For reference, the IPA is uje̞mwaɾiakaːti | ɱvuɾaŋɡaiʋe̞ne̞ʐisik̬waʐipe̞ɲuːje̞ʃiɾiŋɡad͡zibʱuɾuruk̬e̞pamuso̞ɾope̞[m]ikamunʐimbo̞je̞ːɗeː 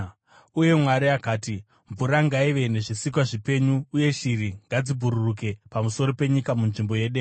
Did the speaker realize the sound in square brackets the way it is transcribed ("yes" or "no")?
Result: no